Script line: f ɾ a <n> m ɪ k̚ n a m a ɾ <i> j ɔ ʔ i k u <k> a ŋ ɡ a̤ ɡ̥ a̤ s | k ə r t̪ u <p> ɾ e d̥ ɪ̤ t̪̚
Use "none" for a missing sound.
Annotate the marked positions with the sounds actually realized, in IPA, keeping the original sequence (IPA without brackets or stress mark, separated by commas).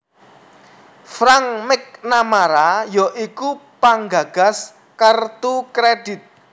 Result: ŋ, a, p, k